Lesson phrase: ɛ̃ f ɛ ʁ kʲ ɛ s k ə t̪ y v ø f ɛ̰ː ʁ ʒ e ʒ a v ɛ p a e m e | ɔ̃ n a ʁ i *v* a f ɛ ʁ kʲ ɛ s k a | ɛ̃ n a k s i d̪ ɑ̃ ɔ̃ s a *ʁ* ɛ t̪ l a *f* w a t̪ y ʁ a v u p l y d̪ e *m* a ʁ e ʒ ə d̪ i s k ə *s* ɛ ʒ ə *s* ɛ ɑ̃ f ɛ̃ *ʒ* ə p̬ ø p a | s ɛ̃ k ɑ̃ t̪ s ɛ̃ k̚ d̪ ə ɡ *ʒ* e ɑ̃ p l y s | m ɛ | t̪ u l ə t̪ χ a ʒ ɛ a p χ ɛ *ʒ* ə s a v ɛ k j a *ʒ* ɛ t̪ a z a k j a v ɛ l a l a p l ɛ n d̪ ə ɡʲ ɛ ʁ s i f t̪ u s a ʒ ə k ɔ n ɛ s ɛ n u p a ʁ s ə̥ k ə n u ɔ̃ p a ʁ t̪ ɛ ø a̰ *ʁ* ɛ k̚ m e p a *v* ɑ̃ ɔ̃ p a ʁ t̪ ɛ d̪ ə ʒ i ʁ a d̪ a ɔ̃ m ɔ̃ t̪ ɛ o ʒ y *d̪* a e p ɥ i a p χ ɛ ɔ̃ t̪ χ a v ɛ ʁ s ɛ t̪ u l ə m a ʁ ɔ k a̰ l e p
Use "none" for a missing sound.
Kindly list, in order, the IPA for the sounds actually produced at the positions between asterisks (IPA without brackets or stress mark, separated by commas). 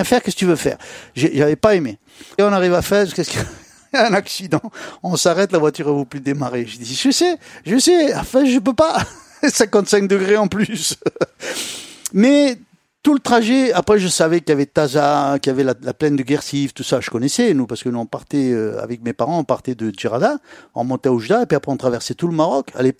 v, ʁ, v, m, s, s, ʒ, ʁ, ʒ, v, v, ʁ, d̪